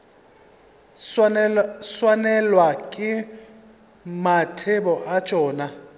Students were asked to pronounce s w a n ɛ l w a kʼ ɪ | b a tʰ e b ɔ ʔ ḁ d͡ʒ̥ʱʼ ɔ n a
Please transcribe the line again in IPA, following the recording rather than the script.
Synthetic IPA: s w a n ɛ l w a kʼ ɪ | m a tʰ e b ɔ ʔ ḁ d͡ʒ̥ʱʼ ɔː n a